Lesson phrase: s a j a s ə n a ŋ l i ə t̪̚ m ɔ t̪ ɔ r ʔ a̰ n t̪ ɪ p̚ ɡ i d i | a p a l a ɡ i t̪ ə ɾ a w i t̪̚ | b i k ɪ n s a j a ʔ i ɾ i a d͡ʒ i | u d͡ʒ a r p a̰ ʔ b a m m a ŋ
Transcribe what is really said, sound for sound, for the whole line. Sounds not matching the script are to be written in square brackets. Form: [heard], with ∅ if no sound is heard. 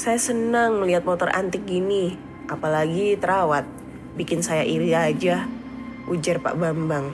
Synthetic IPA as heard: s a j a s ə n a ŋ l i [a] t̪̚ m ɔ t̪ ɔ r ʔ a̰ n t̪ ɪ [k̚] ɡ i [n] i | a p a l a ɡ i t̪ ə ɾ a w [a] t̪̚ | b i k ɪ n s a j a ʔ i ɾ i a d͡ʒ [a] | u d͡ʒ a r p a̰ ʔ b a m [b] a ŋ